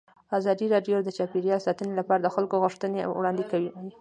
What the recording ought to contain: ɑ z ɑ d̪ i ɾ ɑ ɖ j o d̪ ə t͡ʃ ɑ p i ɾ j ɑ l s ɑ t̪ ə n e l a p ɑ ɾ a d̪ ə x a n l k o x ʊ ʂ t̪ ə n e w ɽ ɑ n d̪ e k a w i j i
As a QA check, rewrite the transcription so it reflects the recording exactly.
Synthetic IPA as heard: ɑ z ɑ d̪ i ɾ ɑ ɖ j o d̪ ə t͡ʃ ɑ p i ɾ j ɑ l s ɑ t̪ ə n e l a p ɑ ɾ a d̪ ə x a l k o ɣ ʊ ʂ t̪ ə n e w ɽ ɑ n d̪ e k a w i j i